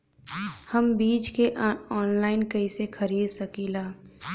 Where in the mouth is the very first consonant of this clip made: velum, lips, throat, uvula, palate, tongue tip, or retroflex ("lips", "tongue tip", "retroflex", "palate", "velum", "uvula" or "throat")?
throat